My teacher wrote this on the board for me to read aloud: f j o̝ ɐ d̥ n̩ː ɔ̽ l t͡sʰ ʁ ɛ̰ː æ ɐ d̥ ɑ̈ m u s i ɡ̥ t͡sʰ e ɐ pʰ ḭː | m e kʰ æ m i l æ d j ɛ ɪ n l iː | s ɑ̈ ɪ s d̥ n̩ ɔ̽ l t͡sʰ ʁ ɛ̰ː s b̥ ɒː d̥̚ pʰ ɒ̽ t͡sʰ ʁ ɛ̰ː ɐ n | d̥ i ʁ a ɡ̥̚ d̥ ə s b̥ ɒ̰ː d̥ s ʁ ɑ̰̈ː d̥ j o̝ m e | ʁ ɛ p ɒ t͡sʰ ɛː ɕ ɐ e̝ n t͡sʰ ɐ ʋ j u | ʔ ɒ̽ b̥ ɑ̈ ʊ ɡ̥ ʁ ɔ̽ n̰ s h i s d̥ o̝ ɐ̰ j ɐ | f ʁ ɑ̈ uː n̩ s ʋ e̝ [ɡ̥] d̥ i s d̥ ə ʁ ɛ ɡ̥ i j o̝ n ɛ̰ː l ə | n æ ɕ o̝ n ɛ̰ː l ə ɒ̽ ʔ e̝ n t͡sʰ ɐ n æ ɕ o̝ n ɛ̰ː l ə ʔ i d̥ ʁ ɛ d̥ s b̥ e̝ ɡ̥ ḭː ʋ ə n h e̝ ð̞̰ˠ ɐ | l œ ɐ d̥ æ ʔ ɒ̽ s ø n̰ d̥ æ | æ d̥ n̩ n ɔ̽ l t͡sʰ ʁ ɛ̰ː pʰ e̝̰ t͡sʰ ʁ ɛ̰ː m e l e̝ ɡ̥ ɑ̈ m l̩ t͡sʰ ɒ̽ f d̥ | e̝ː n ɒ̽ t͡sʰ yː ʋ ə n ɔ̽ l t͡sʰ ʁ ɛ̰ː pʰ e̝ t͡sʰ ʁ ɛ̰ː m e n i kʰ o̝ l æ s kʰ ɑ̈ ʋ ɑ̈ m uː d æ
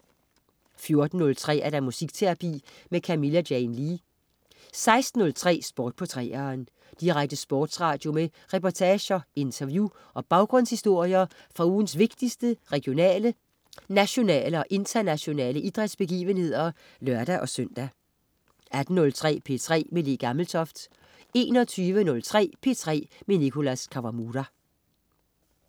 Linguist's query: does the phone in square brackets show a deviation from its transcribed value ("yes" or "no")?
no